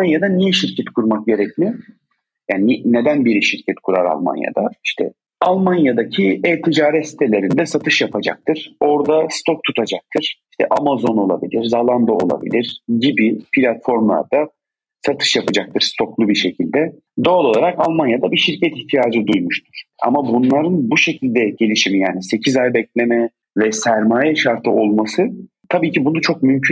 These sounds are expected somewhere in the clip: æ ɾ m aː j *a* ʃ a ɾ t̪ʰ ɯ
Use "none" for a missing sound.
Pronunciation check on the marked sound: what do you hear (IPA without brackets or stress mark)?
ɛ